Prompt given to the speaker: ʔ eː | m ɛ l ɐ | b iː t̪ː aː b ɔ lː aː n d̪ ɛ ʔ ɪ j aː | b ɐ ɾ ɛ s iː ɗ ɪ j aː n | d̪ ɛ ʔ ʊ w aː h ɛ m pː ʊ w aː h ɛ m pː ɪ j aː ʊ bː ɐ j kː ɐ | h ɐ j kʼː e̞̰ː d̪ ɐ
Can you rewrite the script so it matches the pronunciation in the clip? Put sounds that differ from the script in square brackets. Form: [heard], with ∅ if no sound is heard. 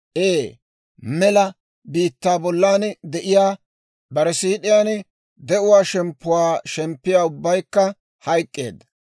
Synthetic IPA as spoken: ʔ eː | m ɛ l ɐ | b iː t̪ː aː b ɔ lː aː n d̪ ɛ ʔ ɪ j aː | b ɐ ɾ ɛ s iː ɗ ɪ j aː n | d̪ ɛ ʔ ʊ w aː [ʃ] ɛ m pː ʊ w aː [ʃ] ɛ m pː ɪ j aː ʊ bː ɐ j kː ɐ | h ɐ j kʼː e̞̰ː d̪ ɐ